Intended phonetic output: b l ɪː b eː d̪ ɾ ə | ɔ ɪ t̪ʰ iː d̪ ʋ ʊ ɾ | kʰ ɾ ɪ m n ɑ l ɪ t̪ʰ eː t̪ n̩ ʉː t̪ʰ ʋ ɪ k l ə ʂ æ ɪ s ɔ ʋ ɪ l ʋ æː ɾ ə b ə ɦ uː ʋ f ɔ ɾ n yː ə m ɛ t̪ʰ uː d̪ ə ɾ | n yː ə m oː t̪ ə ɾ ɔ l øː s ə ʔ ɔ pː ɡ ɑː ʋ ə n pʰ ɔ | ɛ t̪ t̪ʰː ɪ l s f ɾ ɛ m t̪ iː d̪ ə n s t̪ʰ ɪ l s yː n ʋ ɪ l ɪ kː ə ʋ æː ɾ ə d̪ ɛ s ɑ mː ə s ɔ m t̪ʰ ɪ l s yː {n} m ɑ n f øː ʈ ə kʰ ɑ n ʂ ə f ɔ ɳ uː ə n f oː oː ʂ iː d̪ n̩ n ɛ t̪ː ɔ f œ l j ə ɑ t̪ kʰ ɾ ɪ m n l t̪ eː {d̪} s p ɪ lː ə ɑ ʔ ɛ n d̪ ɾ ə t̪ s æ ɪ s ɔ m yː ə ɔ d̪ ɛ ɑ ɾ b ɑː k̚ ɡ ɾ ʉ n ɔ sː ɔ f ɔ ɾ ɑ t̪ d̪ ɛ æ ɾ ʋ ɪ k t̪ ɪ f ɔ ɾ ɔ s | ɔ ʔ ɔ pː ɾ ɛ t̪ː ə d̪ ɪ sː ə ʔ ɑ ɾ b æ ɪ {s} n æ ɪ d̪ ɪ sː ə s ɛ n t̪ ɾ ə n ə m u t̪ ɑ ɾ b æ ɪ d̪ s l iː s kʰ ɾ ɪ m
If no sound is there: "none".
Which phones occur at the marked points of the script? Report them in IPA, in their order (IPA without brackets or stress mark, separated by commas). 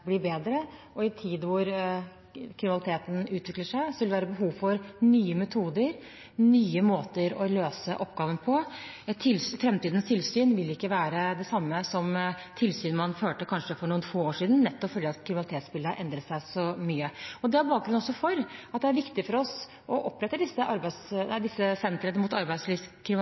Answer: n, t̪, s